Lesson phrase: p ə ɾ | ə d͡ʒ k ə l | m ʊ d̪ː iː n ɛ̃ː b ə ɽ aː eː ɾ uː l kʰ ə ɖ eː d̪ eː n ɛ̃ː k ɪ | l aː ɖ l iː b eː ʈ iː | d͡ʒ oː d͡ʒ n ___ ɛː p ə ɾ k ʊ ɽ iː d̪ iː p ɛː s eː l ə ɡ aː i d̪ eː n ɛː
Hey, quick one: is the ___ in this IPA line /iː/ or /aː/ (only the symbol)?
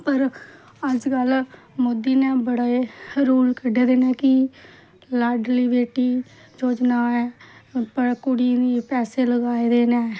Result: aː